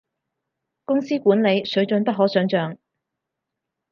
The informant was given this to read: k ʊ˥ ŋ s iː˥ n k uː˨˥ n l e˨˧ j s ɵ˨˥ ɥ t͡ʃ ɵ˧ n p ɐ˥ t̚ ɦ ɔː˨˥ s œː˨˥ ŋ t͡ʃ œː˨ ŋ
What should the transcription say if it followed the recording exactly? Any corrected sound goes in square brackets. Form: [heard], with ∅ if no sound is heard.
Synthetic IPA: k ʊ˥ ŋ s iː˥ [∅] k uː˨˥ n l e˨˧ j s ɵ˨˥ ɥ t͡ʃ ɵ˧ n p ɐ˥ t̚ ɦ ɔː˨˥ s œː˨˥ ŋ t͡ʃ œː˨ ŋ

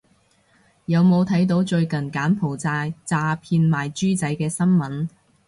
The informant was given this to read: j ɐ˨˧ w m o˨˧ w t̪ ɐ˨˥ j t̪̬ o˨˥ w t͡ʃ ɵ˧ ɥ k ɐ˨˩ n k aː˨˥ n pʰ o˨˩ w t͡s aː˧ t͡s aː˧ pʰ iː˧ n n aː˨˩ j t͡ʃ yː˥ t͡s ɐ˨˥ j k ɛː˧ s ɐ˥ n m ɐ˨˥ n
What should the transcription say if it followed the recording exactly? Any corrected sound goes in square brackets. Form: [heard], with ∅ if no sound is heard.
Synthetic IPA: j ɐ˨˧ w m o˨˧ w [t̪ʰ] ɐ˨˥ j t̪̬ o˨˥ w t͡ʃ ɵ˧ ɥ k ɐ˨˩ n k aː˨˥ n pʰ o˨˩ w t͡s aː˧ t͡s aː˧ pʰ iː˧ n [m] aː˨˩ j t͡ʃ yː˥ t͡s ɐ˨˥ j k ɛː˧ s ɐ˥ n m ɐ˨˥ n

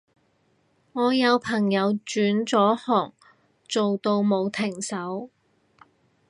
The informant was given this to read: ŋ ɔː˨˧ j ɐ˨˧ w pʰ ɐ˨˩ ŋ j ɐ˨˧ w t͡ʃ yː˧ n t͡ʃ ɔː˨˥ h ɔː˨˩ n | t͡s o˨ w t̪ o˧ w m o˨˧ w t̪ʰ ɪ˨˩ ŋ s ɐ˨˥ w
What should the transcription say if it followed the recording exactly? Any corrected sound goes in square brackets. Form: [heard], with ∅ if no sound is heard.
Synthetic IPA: ŋ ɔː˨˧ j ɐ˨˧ w pʰ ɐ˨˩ ŋ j ɐ˨˧ w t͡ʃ [yː˨˥] n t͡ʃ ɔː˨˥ h ɔː˨˩ [ŋ] | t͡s o˨ w t̪ o˧ w m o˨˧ w t̪ʰ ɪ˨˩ ŋ s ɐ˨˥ w

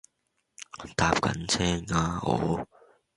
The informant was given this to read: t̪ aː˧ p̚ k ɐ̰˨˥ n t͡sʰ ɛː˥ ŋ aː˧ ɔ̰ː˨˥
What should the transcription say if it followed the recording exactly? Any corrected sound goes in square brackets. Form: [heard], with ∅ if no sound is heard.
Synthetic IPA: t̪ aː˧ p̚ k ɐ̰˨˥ n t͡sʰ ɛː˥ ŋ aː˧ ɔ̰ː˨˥

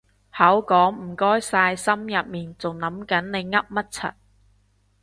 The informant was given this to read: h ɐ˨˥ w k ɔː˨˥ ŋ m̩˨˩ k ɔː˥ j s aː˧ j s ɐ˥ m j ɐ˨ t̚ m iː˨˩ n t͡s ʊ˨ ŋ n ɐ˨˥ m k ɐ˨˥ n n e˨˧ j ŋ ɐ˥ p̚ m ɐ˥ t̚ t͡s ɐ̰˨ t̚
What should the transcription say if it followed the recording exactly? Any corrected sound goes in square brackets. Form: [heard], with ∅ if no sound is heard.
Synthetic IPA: h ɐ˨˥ w k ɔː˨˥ ŋ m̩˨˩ k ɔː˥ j s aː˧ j s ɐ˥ m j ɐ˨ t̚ m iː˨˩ n t͡s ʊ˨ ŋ n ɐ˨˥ m k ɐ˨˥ n n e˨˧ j ŋ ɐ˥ p̚ m ɐ˥ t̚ [t͡sʰ] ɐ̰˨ t̚

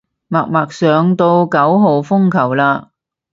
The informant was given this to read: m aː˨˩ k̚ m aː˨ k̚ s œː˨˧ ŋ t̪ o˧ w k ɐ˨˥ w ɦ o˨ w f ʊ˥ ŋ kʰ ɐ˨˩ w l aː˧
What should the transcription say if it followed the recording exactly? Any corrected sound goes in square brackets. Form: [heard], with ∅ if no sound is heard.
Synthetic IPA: m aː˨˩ k̚ m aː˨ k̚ s œː˨˧ ŋ t̪ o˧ w k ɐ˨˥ w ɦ o˨ w f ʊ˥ ŋ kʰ ɐ˨˩ w l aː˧

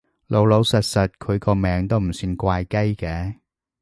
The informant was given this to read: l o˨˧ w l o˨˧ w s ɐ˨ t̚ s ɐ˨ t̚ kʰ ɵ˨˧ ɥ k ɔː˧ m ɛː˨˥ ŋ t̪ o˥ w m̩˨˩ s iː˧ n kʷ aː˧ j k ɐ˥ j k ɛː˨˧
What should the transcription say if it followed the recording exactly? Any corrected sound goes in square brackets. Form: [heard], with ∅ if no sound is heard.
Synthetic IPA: l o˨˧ w l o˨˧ w s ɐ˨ t̚ s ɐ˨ t̚ kʰ ɵ˨˧ ɥ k ɔː˧ m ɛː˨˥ ŋ t̪ o˥ w m̩˨˩ s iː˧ n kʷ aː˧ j k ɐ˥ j k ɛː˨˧

